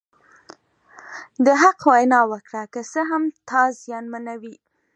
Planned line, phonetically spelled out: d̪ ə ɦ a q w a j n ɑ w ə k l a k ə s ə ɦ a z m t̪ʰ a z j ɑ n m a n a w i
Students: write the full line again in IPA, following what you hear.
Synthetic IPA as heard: d̪ ə ɦ a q w a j n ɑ w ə k ɽ a k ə s ə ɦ a m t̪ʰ ɑ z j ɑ n m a n a w i